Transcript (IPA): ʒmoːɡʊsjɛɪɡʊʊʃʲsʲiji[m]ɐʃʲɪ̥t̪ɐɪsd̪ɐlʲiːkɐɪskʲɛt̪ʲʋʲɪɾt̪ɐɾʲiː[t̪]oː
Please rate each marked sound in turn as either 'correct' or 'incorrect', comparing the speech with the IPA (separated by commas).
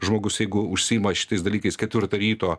correct, correct